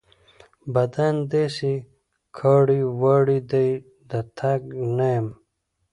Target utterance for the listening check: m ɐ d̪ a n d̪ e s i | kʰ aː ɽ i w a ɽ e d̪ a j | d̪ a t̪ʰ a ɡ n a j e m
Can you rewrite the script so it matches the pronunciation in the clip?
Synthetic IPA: b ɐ d̪ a n d̪ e s i | kʰ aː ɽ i w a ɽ i d̪ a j | d̪ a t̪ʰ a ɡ n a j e m